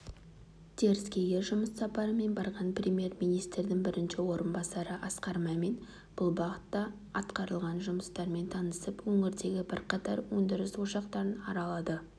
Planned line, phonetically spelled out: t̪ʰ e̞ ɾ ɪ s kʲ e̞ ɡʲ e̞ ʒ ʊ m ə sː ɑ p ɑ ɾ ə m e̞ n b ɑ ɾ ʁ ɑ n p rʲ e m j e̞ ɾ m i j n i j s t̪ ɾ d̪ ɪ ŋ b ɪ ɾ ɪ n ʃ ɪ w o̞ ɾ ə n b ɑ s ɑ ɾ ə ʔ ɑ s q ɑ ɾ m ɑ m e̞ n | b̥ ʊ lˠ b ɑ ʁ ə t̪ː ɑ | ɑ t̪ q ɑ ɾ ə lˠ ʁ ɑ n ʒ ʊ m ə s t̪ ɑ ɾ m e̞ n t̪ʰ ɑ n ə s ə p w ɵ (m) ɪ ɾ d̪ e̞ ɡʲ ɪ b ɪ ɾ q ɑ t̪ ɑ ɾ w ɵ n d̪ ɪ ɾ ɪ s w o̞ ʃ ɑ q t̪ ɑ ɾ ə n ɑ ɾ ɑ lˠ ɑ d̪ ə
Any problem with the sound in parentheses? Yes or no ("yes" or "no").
yes